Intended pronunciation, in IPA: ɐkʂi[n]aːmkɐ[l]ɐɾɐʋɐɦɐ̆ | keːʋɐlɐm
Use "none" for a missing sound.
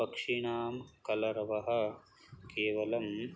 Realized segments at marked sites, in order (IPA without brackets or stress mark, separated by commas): ɳ, l